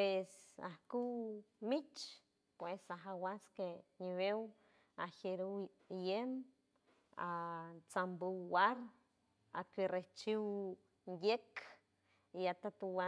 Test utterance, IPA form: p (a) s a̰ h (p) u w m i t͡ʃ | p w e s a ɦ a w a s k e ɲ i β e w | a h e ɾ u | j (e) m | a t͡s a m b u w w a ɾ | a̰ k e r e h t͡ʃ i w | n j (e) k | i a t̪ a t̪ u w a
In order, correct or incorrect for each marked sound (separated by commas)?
incorrect, incorrect, correct, correct